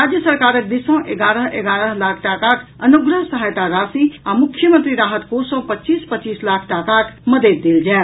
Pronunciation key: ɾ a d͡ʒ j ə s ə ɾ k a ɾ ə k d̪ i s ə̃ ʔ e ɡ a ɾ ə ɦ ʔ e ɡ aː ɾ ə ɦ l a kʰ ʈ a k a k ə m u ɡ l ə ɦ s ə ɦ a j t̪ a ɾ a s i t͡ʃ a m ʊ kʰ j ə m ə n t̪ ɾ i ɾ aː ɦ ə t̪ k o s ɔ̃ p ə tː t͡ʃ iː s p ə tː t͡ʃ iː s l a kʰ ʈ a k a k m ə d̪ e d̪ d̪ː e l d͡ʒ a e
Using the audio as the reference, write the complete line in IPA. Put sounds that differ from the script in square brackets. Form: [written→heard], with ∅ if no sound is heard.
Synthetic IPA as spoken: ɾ a d͡ʒ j ə s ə ɾ k a ɾ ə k d̪ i s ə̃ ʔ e ɡ a ɾ ə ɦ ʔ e ɡ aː ɾ ə ɦ l a kʰ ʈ a k a k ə [m→n] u ɡ [l→ɾ] ə ɦ s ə ɦ a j t̪ a ɾ a s i [t͡ʃ→∅] a m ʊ kʰ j ə m ə n t̪ ɾ i ɾ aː ɦ ə t̪ k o s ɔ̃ p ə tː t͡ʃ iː s p ə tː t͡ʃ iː s l a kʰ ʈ a k a k m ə d̪ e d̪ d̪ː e l d͡ʒ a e